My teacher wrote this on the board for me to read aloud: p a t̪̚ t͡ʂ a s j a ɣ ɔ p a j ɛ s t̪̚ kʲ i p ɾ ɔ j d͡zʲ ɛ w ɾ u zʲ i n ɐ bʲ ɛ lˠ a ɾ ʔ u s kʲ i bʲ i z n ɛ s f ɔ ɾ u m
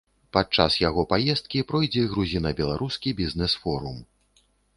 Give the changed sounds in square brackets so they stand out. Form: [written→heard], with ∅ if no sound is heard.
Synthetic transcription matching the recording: p a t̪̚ t͡ʂ a s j a ɣ ɔ p a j ɛ s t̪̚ kʲ i p ɾ ɔ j d͡zʲ ɛ [w→ɣ] ɾ u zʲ i n ɐ bʲ ɛ lˠ a ɾ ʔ u s kʲ i bʲ i z n ɛ s f ɔ ɾ u m